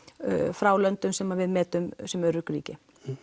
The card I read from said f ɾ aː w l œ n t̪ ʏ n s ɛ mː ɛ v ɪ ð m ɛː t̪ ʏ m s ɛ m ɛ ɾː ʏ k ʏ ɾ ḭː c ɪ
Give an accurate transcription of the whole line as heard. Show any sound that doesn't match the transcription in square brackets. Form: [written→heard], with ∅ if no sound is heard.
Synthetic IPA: f ɾ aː w l œ n t̪ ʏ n s ɛ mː [ɛ→a] v ɪ ð m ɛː t̪ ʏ m s ɛ m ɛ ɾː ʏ k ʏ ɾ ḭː c ɪ